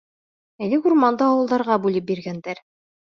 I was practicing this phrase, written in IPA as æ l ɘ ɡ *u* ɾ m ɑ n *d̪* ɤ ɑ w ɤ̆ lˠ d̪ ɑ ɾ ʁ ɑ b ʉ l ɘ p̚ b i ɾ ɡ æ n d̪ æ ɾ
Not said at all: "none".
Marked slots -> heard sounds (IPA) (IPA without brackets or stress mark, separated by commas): u, d̪